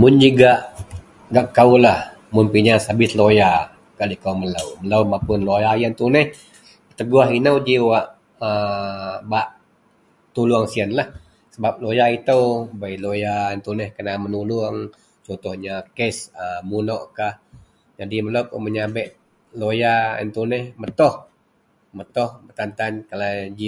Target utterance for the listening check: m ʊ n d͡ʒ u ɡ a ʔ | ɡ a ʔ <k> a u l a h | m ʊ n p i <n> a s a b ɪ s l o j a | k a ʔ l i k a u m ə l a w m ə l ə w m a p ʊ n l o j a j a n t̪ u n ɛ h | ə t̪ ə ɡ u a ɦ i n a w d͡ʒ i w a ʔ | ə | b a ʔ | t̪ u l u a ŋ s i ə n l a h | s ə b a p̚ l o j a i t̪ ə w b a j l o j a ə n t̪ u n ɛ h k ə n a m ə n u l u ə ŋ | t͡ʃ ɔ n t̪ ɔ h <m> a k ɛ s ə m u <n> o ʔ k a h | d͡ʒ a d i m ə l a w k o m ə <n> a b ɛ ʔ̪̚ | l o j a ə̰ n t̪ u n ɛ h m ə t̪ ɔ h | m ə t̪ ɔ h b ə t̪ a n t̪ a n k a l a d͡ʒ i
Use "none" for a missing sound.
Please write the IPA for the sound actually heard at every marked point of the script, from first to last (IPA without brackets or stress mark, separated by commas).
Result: k, ɲ, ɲ, n, ɲ